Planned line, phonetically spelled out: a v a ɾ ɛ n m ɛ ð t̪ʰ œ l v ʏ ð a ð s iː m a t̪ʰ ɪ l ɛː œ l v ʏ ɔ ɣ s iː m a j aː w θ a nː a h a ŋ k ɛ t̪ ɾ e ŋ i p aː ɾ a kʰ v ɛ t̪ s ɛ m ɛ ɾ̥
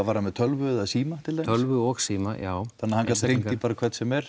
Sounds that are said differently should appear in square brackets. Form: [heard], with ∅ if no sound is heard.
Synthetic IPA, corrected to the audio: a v a ɾ [a] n m ɛ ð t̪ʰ œ l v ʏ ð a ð s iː m a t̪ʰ ɪ l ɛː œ l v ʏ ɔ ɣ s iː m a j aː w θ a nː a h a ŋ k [a] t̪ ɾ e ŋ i p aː ɾ a kʰ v ɛ t̪ s ɛ m ɛ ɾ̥

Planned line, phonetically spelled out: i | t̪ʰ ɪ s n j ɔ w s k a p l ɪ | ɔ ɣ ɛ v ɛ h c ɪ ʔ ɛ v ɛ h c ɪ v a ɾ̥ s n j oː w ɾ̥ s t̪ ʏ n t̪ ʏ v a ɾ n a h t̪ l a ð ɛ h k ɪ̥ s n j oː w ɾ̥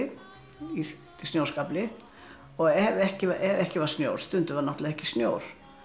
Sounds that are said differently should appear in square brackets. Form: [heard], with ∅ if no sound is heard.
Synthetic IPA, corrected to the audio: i | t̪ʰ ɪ s n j [o] w s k a p l ɪ | ɔ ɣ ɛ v ɛ h c ɪ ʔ ɛ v ɛ h c ɪ v a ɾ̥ s n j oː w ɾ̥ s t̪ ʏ n t̪ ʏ v a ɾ n a h t̪ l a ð ɛ h [c] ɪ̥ s n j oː w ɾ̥

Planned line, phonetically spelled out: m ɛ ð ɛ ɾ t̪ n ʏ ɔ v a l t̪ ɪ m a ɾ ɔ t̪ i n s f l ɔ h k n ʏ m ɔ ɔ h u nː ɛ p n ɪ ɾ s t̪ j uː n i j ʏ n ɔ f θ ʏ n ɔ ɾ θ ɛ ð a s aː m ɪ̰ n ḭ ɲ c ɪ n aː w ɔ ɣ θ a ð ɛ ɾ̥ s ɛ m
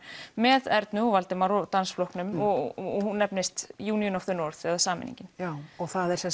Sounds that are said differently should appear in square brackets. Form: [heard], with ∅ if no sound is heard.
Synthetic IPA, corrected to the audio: m ɛ ð ɛ ɾ t̪ n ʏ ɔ v a l t̪ ɪ m a ɾ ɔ t̪ [a] n s f l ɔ h k n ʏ m ɔ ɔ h u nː ɛ p n ɪ [∅] s t̪ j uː n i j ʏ n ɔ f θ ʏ n ɔ ɾ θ ɛ ð a s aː m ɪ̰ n ḭ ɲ c ɪ n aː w ɔ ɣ θ a ð ɛ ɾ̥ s ɛ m

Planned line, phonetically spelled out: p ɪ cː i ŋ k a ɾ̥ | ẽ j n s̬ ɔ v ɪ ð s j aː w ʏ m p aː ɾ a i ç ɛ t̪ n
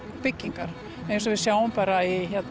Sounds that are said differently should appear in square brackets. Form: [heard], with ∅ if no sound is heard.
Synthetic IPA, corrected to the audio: p ɪ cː i ŋ k a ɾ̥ | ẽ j n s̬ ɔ v ɪ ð s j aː w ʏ m p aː ɾ a i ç ɛ t̪ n

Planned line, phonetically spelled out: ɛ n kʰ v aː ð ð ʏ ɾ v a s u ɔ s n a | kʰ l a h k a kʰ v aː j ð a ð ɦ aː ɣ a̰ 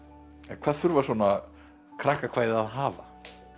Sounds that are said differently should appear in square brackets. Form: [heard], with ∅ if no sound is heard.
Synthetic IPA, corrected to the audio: ɛ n kʰ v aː ð [θ] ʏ ɾ v a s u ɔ [∅] n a | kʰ [ɾ] a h k a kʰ v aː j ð a ð ɦ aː [v] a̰

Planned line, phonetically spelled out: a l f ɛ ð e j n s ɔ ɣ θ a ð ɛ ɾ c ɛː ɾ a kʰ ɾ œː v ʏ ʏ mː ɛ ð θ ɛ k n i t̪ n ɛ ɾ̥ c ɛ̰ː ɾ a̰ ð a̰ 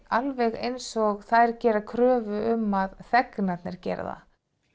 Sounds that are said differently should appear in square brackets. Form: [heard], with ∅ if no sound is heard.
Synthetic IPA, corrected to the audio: a l [v] ɛ [ɣ] e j n s ɔ ɣ θ a ð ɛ ɾ c ɛː ɾ a kʰ ɾ œː v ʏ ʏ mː [a] ð θ ɛ k n [a] t̪ n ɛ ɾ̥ c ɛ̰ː ɾ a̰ ð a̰

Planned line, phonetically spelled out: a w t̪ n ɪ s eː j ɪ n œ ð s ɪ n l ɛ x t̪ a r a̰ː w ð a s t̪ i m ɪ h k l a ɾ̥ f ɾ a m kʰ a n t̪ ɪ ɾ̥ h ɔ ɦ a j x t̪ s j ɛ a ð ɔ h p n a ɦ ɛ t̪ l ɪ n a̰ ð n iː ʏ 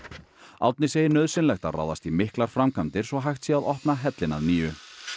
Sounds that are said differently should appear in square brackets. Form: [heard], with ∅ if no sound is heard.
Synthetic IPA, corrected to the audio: a w t̪ n ɪ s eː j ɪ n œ ð s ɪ n l ɛ x t̪ a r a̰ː w ð a s t̪ i m ɪ h k l a ɾ̥ f ɾ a m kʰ a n t̪ ɪ ɾ̥ [s] ɔ ɦ a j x t̪ s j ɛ a ð ɔ h p n a ɦ ɛ t̪ l ɪ n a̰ ð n iː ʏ

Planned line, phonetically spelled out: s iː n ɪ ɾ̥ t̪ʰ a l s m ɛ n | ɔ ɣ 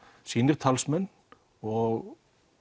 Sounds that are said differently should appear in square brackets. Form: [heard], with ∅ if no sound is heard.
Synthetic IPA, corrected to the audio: s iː n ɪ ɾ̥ t̪ʰ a l s m ɛ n | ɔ ɣ

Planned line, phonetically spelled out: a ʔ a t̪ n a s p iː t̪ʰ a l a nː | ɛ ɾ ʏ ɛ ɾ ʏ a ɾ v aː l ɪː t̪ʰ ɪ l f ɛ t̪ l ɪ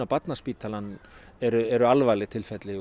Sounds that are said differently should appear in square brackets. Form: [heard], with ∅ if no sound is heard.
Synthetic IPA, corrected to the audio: a [p] a t̪ n a s p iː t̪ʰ a l a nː | ɛ ɾ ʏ ɛ ɾ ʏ a [l] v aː l [ɪ] t̪ʰ ɪ l f ɛ t̪ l ɪ

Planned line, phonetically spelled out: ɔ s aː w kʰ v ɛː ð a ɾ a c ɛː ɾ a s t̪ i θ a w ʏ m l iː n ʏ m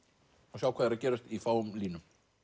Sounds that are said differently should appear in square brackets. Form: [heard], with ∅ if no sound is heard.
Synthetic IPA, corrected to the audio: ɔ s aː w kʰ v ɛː ð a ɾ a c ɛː ɾ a s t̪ i [f] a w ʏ m l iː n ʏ m

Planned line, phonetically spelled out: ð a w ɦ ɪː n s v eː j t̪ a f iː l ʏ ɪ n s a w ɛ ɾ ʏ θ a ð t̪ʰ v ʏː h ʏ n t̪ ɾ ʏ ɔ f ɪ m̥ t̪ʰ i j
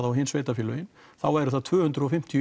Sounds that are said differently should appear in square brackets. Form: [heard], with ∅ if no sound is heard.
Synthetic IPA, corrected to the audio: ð a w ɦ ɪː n s v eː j t̪ a f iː l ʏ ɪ n [θ] a w ɛ ɾ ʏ θ a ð t̪ʰ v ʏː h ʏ n t̪ ɾ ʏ ɔ f ɪ m̥ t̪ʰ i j

